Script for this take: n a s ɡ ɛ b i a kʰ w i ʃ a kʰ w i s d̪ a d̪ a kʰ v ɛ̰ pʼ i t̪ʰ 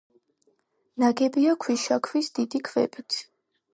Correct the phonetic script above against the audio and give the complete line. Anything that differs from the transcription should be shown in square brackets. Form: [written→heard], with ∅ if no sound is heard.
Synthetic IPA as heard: n a [s→∅] ɡ ɛ b i a kʰ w i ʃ a kʰ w i s d̪ [a→i] d̪ [a→i] kʰ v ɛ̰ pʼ i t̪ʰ

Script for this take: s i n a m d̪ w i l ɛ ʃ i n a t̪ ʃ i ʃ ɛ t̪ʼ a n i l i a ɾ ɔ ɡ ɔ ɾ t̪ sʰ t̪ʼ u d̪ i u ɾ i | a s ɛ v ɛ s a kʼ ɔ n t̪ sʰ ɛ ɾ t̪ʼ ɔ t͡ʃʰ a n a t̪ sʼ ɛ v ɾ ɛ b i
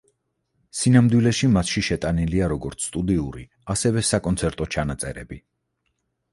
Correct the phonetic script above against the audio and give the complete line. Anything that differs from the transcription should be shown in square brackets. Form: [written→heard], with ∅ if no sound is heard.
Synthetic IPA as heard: s i n a m d̪ w i l ɛ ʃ i [n→m] a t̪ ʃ i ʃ ɛ t̪ʼ a n i l i a ɾ ɔ ɡ ɔ ɾ t̪ sʰ t̪ʼ u d̪ i u ɾ i | a s ɛ v ɛ s a kʼ ɔ n t̪ sʰ ɛ ɾ t̪ʼ ɔ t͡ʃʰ a n a t̪ sʼ ɛ [v→∅] ɾ ɛ b i

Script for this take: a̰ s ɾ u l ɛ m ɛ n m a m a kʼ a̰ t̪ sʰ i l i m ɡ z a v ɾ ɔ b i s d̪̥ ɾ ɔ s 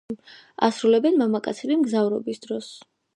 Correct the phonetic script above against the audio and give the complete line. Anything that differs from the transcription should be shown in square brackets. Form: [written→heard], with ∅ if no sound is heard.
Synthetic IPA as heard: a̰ s ɾ u l ɛ [m→b] ɛ n m a m a kʼ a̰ t̪ sʰ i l i m ɡ z a v ɾ ɔ b i s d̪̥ ɾ ɔ s

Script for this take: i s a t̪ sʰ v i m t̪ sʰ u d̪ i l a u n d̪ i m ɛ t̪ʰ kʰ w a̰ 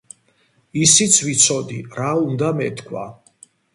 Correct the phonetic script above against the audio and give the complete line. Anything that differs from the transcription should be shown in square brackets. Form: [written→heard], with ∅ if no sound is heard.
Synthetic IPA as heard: i s [a→i] t̪ sʰ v i [m→∅] t̪ sʰ [u→ɔ] d̪ i [l→ɾ] a u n d̪ [i→a] m ɛ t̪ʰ kʰ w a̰

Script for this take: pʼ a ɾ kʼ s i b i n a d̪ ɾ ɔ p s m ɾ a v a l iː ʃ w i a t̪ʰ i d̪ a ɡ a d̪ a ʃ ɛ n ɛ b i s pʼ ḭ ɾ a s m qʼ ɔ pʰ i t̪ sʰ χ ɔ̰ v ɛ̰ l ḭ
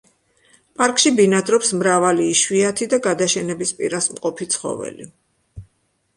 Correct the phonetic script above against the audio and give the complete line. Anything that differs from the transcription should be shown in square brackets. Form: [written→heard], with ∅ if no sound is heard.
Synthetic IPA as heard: pʼ a ɾ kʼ [s→ʃ] i b i n a d̪ ɾ ɔ p s m ɾ a v a l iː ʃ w i a t̪ʰ i d̪ a ɡ a d̪ a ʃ ɛ n ɛ b i s pʼ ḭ ɾ a s m qʼ ɔ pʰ i t̪ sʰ χ ɔ̰ v ɛ̰ l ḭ

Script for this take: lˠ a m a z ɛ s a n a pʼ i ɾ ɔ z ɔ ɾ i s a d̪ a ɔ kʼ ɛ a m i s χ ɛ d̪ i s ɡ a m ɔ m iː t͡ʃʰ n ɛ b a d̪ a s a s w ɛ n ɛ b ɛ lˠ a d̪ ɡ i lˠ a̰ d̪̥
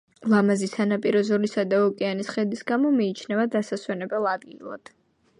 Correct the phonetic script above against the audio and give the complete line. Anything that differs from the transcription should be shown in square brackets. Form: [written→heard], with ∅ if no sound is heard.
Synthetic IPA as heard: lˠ a m a z [ɛ→i] s a n a pʼ i ɾ ɔ z ɔ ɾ i s a d̪ a ɔ kʼ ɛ a [m→n] i s χ ɛ d̪ i s ɡ a m ɔ m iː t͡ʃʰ n ɛ [b→v] a d̪ a s a s w ɛ n ɛ b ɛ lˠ a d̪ ɡ i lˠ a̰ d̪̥

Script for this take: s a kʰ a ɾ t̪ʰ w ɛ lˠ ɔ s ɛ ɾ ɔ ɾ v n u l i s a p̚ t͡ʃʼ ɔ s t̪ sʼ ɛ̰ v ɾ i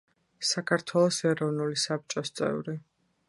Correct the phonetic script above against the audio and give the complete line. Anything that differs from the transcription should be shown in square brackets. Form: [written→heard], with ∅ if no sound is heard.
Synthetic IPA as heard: s a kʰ a ɾ t̪ʰ w ɛ lˠ ɔ s ɛ ɾ ɔ [ɾ→∅] v n u l i s a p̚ t͡ʃʼ ɔ s t̪ sʼ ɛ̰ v ɾ i

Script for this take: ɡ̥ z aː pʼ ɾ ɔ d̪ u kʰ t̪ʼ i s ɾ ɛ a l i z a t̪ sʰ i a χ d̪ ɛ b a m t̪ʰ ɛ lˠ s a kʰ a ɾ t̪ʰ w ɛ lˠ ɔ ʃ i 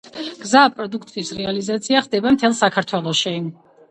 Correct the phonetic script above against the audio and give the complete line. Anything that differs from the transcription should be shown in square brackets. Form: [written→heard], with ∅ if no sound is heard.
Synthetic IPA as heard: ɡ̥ z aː pʼ ɾ ɔ d̪ u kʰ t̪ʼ i s ɾ ɛ a l i z a t̪ sʰ i a χ d̪ ɛ b a m t̪ʰ ɛ lˠ s a kʰ a ɾ t̪ʰ w ɛ lˠ ɔ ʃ i

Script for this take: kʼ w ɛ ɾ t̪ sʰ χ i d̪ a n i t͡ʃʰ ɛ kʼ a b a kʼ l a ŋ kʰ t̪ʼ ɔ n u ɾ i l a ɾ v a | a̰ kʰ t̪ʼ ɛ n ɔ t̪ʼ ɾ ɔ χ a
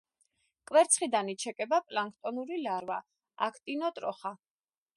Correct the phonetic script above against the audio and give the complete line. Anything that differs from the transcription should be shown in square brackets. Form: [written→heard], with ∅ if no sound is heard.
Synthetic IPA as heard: kʼ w ɛ ɾ t̪ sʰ χ i d̪ a n i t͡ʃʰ ɛ kʼ [a→ɛ] b a [kʼ→pʼ] l a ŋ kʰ t̪ʼ ɔ n u ɾ i l a ɾ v a | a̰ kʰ t̪ʼ [ɛ→i] n ɔ t̪ʼ ɾ ɔ χ a

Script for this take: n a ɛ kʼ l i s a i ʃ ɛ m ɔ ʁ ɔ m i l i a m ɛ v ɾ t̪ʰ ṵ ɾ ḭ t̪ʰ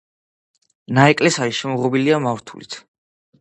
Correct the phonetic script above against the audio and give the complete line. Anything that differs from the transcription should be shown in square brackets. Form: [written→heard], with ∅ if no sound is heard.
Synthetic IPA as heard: n a ɛ kʼ l [i→ɛ] s a i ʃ ɛ m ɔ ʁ ɔ [m→b] i l i a m [ɛ→a] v ɾ t̪ʰ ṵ [ɾ→l] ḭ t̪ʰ

